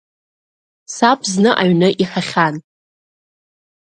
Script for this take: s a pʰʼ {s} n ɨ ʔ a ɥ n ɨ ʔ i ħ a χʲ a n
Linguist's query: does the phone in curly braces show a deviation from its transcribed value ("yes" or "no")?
yes